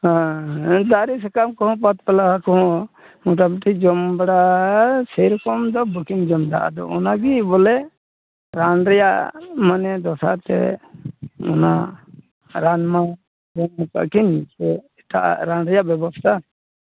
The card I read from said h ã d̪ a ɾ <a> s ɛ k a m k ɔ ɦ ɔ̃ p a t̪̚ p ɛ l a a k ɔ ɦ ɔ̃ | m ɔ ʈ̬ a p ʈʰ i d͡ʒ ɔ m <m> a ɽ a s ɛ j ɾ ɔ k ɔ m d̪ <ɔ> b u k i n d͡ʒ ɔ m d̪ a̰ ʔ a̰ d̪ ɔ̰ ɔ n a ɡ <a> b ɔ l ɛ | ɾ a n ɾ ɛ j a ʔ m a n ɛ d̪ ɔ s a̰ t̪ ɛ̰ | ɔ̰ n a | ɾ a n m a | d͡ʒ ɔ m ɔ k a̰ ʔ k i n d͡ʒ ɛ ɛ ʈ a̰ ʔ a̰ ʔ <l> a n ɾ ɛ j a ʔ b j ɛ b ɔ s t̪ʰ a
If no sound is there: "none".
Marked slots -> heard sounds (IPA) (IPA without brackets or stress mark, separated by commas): i, b, ɔ, i, ɾ